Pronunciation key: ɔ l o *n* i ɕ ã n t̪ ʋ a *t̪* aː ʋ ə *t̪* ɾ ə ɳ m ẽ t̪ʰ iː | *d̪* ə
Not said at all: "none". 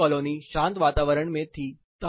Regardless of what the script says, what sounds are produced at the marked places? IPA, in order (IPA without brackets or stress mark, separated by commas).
n, t̪, none, t̪